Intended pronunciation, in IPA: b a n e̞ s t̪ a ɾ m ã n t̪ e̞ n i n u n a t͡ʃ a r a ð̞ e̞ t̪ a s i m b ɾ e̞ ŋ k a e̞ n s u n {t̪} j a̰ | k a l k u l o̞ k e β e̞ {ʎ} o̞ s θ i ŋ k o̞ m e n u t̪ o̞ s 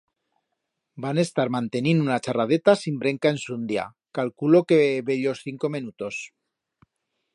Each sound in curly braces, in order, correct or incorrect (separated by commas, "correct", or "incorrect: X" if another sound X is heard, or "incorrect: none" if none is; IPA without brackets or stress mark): incorrect: d̪, correct